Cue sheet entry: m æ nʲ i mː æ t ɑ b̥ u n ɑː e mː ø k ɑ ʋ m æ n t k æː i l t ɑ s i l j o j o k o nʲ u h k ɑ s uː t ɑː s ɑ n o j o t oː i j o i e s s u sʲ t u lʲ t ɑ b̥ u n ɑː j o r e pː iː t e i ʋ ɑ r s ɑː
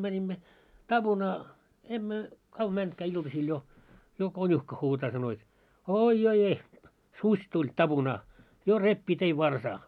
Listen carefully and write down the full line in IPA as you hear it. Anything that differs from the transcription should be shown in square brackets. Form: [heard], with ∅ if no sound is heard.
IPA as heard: m æ nʲ i mː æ t ɑ b̥ u n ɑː e mː ø k ɑ ʋ m æ n t k æː i l t ɑ s i l j o j o k o nʲ u h k ɑ [h] uː t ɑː s ɑ n o j o t oː i j o i e [h] s u sʲ t u lʲ t ɑ b̥ u n ɑː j o r e pː iː t e i ʋ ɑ r s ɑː

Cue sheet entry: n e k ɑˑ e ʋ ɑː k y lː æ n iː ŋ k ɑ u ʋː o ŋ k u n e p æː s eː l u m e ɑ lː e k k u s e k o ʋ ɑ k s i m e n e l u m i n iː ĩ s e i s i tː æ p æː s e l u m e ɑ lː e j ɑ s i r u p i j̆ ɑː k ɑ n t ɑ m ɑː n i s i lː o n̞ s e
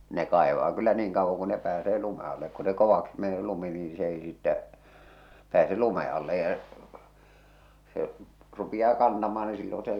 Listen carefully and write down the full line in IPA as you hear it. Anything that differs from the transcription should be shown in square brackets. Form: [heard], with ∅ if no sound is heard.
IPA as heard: n e k ɑˑ e ʋ ɑː k y lː æ n iː ŋ k ɑ u ʋː o ŋ k u n e p æː s eː l u m e ɑ lː e k k u s e k o ʋ ɑ k s i m e n e l u m i n iː ĩ s e i s i tː æ p æː s e l u m e ɑ lː e j ɑ s [e] r u p i j̆ ɑː k ɑ n t ɑ m ɑː n i s i lː o n̞ s e

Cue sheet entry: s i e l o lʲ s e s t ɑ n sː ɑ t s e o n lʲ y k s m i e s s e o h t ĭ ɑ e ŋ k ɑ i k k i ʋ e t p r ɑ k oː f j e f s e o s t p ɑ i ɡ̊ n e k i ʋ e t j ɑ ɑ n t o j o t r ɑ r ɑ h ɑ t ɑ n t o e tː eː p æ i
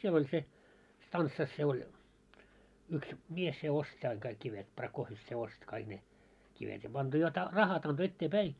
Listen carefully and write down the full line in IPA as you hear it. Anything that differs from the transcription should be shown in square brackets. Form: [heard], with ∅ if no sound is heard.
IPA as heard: s i e l o lʲ s e s t ɑ n sː ɑ [s] s e o [∅] lʲ y k s m i e s s e o [s] t ĭ ɑ [i] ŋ k ɑ i k k i ʋ e t p r ɑ k oː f j e f s e o s t [k] ɑ i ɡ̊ n e k i ʋ e t j ɑ ɑ n t o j o t r ɑ r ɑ h ɑ t ɑ n t o e tː eː p æ i

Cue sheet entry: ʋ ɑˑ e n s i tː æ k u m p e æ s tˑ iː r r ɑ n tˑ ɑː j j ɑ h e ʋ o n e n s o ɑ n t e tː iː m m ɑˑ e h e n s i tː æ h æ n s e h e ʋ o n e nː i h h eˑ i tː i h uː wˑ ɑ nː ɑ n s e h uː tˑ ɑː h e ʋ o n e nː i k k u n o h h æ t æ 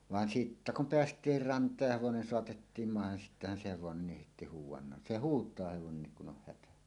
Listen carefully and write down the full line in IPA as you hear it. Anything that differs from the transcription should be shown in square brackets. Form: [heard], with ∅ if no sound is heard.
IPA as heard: ʋ ɑˑ e n s i tː æ k u m p e æ s tˑ iː r r ɑ n tˑ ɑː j j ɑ h e ʋ o n e n s o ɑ [∅] t e tː iː m m ɑˑ e h e n s i tː æ h æ n s e h e ʋ o n e nː i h h eˑ i tː i h uː wˑ ɑ nː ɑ n s e h uː tˑ ɑː h e ʋ o n e nː i k k u n o h h æ t æ

